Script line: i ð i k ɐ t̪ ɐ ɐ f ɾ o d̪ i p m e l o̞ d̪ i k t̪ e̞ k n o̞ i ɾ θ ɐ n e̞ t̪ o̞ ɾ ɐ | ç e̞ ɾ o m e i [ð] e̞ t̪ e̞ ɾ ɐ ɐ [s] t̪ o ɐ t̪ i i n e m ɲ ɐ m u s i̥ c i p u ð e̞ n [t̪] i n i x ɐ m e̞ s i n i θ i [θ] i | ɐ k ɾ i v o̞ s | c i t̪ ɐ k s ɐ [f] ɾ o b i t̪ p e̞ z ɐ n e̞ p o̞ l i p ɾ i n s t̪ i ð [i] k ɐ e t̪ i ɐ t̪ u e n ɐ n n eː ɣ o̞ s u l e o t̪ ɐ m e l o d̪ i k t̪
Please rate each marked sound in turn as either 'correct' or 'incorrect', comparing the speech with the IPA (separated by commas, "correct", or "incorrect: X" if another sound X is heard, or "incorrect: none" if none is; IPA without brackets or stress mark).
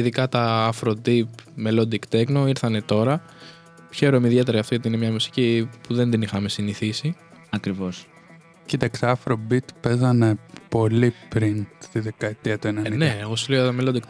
correct, incorrect: f, incorrect: d̪, incorrect: s, correct, incorrect: e